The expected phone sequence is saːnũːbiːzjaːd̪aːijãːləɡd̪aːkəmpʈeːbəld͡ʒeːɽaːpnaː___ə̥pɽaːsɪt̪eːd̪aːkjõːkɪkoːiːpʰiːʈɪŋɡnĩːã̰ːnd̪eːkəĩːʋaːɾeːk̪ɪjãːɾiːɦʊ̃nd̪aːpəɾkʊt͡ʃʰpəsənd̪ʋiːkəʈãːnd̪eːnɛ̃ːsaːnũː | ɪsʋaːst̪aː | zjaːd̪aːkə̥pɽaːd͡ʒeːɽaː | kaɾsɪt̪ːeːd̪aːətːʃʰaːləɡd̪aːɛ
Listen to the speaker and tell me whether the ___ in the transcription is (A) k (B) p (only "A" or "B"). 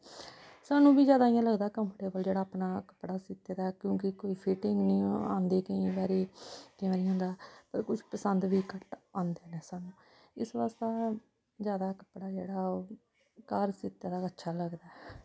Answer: A